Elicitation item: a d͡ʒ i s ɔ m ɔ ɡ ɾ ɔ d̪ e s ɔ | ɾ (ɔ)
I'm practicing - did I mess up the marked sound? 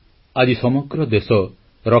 no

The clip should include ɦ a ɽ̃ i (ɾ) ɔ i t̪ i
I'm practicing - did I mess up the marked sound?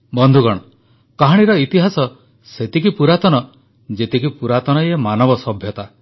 no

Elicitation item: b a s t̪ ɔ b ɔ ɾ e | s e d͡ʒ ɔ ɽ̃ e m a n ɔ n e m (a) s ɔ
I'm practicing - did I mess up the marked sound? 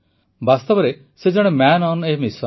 yes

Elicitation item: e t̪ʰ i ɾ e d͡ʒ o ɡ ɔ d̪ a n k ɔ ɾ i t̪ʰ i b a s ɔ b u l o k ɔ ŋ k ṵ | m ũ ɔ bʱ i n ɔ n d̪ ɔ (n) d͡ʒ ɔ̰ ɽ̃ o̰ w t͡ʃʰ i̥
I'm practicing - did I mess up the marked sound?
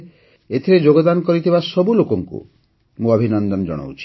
no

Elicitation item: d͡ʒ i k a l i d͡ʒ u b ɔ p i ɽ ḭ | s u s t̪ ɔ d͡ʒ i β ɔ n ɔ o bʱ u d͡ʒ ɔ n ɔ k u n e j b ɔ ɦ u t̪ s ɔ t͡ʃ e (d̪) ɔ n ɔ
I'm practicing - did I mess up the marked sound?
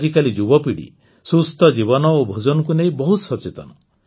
yes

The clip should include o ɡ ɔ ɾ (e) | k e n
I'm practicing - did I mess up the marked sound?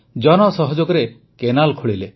no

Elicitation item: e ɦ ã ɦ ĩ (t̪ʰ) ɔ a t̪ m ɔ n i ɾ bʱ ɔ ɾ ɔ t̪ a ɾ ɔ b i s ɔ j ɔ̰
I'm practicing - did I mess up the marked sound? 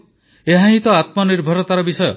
yes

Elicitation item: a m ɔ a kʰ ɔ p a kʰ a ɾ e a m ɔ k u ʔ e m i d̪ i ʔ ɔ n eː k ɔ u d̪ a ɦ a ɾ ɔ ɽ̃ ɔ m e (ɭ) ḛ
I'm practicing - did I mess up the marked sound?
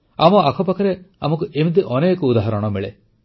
no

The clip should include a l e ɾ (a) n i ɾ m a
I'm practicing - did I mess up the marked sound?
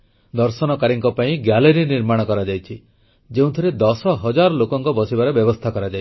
yes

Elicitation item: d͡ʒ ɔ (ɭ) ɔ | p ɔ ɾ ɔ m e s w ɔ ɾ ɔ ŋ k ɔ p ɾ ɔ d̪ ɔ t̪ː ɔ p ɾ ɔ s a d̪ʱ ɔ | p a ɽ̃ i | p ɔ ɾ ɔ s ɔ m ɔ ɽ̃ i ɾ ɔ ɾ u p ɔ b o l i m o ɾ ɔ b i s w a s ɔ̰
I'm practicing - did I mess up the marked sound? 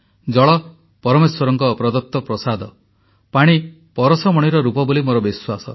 no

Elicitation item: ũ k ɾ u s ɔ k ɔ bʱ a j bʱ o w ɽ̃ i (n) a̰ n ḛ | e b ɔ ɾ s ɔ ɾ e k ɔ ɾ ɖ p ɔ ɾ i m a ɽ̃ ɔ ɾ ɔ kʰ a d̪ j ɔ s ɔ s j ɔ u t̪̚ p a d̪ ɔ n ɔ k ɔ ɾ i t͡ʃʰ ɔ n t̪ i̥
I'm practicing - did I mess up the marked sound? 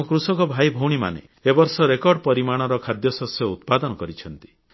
yes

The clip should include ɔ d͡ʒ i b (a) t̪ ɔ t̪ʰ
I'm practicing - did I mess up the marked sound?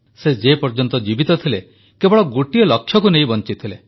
yes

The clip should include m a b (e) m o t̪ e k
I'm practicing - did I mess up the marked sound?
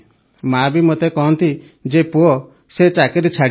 yes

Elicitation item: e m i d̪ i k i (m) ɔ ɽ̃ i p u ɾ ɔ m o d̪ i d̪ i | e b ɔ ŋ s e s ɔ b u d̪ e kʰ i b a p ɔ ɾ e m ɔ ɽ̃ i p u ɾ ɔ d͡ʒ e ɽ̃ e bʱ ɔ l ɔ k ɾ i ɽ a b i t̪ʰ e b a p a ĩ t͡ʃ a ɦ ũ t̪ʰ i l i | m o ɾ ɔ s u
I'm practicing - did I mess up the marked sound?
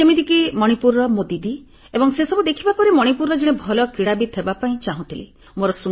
no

